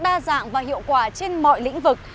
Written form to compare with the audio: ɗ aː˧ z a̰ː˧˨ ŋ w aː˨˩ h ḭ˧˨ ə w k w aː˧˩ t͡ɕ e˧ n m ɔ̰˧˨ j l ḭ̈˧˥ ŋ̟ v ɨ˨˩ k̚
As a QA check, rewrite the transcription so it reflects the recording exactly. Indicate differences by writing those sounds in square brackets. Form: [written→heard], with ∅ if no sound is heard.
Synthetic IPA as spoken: ɗ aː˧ z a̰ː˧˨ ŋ [w→v] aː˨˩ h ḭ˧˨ ə w k w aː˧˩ t͡ɕ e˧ n m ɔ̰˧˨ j l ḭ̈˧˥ ŋ̟ v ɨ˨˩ k̚